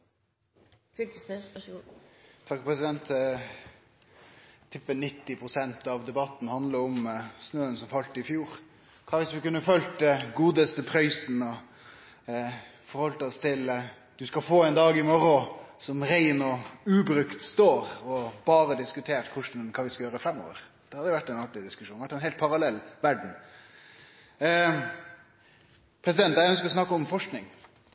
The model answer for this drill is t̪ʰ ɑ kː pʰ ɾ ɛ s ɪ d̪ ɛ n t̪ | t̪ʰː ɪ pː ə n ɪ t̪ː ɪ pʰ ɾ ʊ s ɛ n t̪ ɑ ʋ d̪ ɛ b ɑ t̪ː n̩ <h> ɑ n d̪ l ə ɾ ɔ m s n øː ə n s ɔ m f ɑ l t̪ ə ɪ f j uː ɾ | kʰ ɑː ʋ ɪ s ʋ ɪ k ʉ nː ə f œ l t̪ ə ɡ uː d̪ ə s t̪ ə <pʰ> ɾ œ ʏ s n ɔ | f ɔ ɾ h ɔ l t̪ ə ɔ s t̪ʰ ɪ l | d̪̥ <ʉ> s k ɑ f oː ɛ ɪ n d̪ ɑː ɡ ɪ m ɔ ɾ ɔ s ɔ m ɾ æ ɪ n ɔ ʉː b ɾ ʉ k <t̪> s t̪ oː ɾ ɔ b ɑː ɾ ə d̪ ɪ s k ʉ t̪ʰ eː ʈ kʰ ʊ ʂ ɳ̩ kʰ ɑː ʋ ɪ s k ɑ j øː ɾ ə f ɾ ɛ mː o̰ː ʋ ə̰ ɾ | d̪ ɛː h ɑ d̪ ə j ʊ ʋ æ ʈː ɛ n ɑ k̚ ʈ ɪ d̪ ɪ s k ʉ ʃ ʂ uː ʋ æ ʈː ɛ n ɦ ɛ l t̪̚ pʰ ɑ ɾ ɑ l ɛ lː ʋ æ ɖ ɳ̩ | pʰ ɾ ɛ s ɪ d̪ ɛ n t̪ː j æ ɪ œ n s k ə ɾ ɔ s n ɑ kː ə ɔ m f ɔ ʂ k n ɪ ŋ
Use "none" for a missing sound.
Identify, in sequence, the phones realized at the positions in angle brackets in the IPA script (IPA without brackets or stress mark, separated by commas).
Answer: h, pʰ, ʉ, t̪